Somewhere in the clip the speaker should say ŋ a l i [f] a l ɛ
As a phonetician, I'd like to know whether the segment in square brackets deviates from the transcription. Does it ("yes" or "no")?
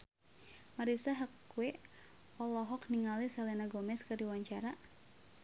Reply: yes